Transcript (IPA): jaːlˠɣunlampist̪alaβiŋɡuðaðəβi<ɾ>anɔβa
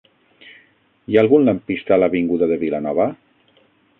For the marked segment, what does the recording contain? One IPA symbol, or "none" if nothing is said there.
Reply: l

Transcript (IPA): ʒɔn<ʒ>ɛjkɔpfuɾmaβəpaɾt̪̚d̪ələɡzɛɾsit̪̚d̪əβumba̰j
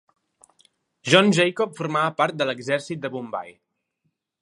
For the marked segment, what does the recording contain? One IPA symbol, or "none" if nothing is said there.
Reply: ʒ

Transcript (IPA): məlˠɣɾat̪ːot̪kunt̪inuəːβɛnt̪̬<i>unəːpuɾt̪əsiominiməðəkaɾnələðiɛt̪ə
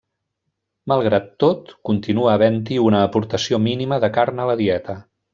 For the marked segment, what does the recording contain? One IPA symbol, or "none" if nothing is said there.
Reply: i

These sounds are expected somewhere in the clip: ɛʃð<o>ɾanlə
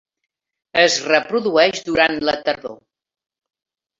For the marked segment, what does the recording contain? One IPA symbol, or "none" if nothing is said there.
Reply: u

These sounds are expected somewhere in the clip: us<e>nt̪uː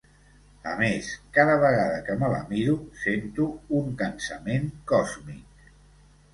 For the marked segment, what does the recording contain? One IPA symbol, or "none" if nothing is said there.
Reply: e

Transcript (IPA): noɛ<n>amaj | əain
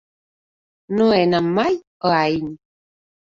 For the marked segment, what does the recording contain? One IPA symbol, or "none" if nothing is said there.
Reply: n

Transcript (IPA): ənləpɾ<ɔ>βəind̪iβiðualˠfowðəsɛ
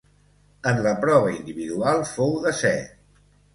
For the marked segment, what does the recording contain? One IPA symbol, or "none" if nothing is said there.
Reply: ɔ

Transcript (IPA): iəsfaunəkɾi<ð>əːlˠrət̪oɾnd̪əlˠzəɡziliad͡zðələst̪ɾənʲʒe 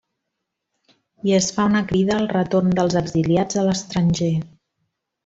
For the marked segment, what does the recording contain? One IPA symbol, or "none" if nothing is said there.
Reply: ð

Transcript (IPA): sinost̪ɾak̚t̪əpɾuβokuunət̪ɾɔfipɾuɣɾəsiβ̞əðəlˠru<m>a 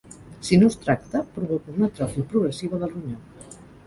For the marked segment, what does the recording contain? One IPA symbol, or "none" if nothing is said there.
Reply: ɲ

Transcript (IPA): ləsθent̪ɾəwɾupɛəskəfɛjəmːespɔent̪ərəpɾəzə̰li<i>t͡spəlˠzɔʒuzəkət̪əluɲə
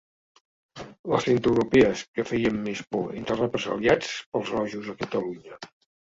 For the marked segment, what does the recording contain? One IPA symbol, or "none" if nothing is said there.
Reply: a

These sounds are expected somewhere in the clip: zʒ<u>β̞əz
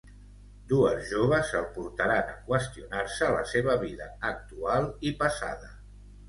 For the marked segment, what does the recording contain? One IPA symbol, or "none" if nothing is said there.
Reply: o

